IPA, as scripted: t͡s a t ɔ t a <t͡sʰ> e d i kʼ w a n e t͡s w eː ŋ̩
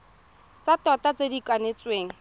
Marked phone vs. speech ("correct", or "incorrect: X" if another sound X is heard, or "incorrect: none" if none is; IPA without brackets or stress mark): incorrect: t͡s